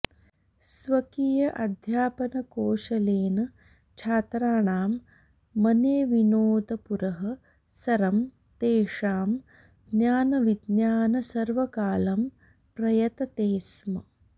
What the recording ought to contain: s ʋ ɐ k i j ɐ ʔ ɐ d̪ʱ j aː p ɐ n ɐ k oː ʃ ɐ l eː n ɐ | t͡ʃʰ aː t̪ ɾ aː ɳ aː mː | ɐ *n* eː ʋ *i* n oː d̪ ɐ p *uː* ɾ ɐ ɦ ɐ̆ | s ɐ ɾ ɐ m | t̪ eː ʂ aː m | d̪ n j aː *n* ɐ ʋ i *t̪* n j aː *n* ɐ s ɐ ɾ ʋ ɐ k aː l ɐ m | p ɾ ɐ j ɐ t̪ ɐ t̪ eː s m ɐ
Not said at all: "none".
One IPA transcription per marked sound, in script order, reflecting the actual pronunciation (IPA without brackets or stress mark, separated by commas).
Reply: n, i, u, n, d̪, n